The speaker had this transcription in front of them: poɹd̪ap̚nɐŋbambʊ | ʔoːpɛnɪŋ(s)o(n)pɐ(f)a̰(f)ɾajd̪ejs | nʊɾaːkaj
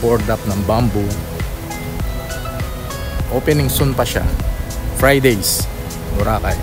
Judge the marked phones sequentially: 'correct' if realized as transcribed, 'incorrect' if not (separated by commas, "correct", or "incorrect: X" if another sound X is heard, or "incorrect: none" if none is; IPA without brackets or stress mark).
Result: correct, correct, incorrect: ʃ, correct